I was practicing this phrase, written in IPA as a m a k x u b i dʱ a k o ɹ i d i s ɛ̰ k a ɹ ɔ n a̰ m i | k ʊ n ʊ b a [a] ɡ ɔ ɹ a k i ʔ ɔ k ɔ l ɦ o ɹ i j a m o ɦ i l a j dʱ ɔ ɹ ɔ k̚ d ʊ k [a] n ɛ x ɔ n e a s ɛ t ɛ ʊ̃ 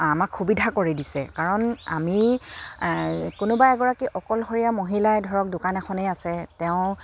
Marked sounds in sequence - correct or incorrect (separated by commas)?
incorrect, correct